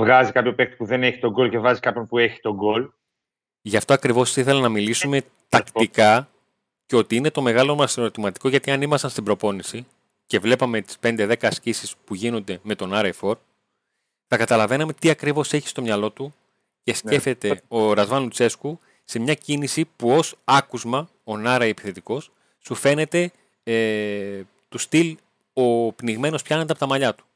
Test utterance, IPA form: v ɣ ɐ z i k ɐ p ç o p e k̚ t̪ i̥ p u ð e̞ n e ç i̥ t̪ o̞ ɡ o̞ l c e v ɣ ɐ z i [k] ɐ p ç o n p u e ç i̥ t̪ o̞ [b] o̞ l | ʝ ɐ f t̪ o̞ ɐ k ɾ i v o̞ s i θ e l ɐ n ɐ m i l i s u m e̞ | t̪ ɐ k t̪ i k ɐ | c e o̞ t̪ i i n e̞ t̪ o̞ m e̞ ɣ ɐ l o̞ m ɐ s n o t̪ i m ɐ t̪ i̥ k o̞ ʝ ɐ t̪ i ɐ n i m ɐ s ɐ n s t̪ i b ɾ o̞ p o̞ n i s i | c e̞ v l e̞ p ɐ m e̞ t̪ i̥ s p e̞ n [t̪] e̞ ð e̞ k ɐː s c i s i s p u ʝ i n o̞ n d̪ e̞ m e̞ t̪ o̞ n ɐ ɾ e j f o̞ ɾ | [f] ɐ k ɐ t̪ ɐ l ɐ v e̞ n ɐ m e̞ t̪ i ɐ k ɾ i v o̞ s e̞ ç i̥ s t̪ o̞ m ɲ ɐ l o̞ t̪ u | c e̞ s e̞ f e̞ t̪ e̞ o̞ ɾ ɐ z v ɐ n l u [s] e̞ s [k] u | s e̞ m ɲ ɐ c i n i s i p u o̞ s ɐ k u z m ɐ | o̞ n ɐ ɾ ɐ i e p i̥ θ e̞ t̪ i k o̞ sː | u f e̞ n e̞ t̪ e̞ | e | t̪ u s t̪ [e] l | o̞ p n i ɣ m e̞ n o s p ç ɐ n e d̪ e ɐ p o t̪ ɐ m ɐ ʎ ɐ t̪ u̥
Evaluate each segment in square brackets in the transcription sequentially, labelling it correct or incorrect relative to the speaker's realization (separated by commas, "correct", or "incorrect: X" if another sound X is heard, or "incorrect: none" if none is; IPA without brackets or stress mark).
correct, incorrect: ɡ, incorrect: d̪, incorrect: θ, incorrect: t͡s, correct, incorrect: i